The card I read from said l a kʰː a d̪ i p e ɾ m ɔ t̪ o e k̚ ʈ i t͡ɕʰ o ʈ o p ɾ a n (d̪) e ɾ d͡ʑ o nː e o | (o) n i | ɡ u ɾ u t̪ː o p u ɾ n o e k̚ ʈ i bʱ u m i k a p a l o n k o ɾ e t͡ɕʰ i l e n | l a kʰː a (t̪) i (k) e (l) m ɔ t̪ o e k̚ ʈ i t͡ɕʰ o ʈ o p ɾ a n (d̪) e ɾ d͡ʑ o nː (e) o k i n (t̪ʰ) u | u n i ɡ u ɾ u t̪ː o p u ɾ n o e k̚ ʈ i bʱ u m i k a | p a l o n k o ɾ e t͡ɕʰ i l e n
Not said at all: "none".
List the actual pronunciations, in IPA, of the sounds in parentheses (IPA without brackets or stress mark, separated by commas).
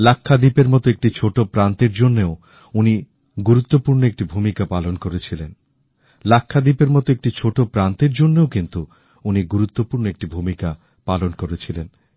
t̪, u, d̪, p, ɾ, t̪, e, t̪